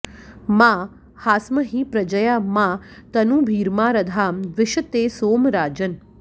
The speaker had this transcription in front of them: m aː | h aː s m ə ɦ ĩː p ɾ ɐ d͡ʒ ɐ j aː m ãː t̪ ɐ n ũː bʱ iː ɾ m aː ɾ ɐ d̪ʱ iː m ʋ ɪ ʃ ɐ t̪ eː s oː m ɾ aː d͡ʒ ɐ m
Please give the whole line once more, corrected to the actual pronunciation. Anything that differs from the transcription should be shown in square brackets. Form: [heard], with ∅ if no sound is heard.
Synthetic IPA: m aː | h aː s m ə ɦ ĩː p ɾ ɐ d͡ʒ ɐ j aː m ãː t̪ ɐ n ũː bʱ iː ɾ m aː ɾ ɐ d̪ʱ [aː] m ʋ ɪ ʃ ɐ t̪ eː s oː m ɾ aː d͡ʒ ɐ [n]

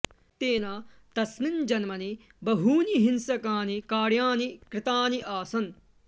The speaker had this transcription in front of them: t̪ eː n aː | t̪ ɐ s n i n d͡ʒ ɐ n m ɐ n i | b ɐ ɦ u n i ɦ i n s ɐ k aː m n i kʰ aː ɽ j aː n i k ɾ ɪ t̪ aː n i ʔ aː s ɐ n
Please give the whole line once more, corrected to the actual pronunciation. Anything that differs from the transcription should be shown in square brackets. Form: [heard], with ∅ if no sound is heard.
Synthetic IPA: t̪ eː n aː | t̪ ɐ s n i n d͡ʒ ɐ n m ɐ n i | b ɐ ɦ [uː] n i ɦ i n s ɐ k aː [∅] n i [k] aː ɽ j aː n i k ɾ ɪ t̪ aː n i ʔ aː s ɐ n

